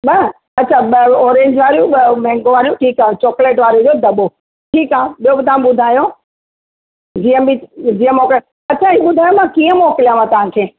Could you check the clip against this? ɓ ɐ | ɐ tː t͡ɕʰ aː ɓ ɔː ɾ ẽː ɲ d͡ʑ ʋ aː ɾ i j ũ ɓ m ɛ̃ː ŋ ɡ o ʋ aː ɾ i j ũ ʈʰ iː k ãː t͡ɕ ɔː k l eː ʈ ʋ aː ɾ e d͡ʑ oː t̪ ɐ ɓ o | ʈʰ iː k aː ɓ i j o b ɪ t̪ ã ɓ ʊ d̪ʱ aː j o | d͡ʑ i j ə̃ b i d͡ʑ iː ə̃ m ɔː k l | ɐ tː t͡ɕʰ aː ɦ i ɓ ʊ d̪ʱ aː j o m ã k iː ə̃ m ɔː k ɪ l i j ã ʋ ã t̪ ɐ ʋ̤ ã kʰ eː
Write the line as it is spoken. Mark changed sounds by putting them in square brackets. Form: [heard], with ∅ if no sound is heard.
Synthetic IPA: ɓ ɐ | ɐ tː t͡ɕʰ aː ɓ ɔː ɾ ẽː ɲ d͡ʑ ʋ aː ɾ i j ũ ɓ m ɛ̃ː ŋ ɡ o ʋ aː ɾ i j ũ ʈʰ iː k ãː t͡ɕ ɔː k l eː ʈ ʋ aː ɾ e d͡ʑ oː [d̪] ɐ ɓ o | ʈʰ iː k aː ɓ i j o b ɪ t̪ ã ɓ ʊ d̪ʱ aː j o | d͡ʑ i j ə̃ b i d͡ʑ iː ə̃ m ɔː k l | ɐ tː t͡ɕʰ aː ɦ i ɓ ʊ d̪ʱ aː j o m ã k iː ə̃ m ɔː k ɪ l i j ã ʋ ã t̪ ɐ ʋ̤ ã kʰ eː